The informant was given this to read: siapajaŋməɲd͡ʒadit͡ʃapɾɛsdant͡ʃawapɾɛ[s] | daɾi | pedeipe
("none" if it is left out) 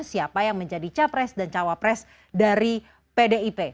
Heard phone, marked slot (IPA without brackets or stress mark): s